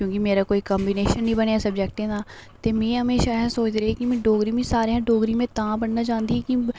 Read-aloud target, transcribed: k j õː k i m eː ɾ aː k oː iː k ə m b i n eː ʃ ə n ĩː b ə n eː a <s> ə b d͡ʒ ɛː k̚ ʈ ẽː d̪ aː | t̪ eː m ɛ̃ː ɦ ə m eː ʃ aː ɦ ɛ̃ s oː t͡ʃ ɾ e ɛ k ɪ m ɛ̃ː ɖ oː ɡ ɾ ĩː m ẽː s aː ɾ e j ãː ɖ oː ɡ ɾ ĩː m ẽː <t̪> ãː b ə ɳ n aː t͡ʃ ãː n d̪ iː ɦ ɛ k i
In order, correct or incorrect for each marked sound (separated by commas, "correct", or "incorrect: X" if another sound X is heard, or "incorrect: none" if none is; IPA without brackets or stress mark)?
correct, correct